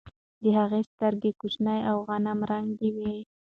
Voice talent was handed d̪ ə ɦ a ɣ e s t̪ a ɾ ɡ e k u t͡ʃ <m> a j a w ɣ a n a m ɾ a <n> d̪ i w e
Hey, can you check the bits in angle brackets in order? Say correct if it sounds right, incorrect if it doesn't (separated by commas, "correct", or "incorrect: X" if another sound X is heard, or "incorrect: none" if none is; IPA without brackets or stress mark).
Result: incorrect: n, incorrect: ŋ